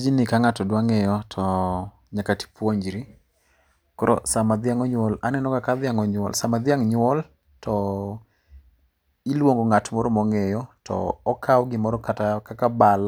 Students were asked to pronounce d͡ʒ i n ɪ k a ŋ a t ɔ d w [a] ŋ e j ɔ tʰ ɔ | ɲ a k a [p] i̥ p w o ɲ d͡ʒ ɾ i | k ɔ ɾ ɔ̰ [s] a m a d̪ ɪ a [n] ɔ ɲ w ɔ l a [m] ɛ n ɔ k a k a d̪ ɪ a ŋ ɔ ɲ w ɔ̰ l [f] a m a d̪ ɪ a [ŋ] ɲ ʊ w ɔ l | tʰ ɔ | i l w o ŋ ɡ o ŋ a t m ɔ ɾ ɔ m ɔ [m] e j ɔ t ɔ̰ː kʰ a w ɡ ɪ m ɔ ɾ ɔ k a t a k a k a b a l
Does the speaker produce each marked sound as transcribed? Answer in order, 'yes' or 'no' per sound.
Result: yes, no, yes, no, no, no, yes, no

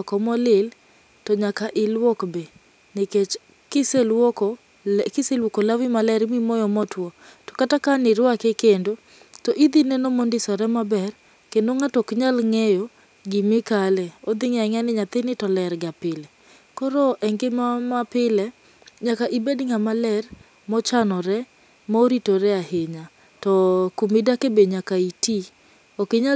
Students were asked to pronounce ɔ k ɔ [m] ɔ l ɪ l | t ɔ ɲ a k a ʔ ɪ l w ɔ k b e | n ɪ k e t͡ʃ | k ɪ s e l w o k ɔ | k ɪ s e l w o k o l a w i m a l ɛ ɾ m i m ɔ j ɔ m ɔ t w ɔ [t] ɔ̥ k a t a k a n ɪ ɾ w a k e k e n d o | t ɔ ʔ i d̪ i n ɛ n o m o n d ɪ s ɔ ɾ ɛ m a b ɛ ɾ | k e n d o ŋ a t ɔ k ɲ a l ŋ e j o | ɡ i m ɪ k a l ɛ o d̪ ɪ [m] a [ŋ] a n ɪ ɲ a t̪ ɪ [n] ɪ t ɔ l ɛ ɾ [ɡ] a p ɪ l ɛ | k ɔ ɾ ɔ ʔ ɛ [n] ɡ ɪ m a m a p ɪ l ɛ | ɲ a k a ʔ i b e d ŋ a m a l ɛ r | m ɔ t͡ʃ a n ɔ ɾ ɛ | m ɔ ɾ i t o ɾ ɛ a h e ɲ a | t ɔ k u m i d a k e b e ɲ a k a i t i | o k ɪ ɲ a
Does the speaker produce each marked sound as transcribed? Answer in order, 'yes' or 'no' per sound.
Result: yes, yes, no, yes, yes, yes, no

